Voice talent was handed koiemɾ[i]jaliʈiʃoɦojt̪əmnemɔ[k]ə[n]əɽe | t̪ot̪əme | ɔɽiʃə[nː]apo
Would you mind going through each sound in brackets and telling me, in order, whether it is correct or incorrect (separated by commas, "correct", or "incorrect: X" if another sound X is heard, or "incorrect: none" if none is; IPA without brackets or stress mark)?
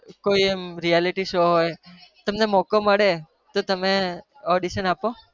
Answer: correct, correct, incorrect: m, incorrect: n